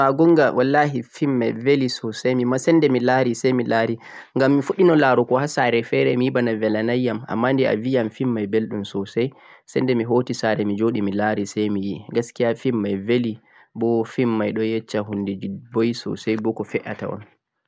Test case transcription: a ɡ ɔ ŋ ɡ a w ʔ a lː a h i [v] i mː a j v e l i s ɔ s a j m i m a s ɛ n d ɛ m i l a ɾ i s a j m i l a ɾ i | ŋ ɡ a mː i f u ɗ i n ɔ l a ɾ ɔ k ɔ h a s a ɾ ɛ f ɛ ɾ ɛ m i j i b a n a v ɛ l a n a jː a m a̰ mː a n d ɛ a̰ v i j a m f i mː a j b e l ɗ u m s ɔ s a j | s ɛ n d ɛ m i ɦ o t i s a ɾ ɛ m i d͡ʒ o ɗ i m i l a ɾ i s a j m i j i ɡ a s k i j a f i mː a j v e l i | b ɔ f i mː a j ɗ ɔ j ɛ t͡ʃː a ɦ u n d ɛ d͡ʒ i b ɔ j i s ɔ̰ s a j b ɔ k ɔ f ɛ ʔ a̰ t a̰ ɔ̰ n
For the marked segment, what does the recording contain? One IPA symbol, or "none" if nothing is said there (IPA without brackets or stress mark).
f